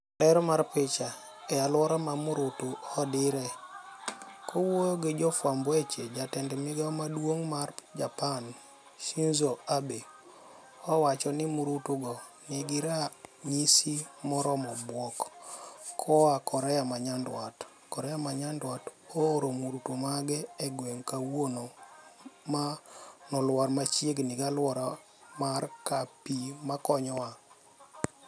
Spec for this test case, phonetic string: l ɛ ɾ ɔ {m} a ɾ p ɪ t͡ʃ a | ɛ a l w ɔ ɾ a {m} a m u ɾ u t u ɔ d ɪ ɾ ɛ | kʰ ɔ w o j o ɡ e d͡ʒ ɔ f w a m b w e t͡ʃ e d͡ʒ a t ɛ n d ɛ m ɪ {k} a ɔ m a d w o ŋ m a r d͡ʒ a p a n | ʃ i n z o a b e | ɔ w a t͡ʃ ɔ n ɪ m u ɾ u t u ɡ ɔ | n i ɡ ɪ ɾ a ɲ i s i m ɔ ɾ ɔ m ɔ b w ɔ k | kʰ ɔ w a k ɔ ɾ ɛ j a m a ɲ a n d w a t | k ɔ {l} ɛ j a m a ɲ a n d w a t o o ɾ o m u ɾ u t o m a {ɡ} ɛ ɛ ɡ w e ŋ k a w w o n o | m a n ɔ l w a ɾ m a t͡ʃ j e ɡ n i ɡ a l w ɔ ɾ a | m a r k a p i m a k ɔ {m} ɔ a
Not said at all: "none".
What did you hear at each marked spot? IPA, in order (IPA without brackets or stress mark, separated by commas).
m, m, ɡ, ɾ, ɡ, ɲ